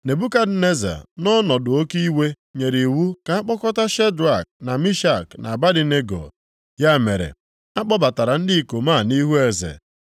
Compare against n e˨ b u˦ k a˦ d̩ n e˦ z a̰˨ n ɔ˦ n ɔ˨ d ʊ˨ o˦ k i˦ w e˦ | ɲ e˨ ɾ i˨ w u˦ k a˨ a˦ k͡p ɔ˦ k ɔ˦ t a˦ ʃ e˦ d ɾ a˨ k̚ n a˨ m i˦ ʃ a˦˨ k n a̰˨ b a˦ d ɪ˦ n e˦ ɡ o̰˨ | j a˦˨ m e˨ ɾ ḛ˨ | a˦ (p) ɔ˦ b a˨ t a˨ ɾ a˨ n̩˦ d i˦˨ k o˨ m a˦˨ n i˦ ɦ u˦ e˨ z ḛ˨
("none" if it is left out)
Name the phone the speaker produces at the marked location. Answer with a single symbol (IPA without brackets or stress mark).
k͡p